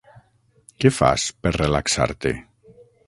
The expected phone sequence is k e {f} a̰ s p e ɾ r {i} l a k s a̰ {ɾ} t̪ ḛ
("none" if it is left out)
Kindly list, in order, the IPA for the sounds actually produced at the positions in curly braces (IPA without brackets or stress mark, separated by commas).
f, e, ɾ